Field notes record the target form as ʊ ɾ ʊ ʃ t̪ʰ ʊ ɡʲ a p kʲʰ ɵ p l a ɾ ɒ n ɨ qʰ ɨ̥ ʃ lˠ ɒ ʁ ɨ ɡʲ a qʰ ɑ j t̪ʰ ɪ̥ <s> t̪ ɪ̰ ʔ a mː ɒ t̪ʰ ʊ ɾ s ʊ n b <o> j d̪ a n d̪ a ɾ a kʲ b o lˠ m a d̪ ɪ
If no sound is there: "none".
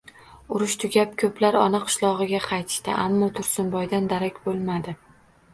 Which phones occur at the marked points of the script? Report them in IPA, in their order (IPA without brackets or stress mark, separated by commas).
ʃ, ɒ